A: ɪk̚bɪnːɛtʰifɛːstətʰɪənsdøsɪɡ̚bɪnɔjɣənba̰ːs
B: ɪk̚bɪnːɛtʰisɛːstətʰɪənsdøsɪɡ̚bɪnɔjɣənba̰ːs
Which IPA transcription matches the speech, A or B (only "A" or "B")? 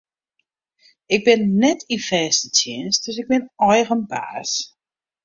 A